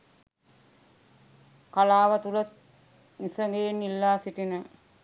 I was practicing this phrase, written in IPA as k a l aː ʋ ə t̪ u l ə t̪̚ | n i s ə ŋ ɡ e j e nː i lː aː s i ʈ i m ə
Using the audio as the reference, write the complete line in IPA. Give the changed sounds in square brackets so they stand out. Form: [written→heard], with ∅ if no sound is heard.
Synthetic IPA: k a l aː ʋ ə t̪ u l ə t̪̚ | n i s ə ŋ ɡ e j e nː i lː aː s i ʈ i [m→n] ə